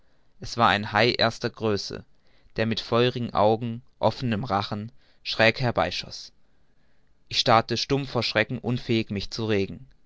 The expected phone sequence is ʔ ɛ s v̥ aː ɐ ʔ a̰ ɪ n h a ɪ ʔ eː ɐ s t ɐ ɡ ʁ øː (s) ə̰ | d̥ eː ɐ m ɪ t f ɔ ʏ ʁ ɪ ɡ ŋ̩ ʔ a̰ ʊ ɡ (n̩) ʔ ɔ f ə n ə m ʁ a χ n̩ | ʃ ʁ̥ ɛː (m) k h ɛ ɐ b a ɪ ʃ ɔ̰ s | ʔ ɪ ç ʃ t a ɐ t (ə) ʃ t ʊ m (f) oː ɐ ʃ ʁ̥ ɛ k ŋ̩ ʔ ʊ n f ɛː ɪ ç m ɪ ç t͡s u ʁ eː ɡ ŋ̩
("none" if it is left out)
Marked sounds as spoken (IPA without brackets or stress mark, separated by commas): s, ŋ̩, none, ə, f